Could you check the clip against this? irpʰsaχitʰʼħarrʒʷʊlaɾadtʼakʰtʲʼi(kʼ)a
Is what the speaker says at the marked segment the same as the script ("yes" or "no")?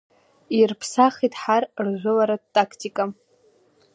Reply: yes